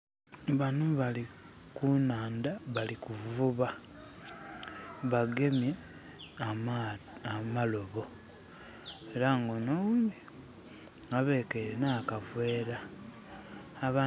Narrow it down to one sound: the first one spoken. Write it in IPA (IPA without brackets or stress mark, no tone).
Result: β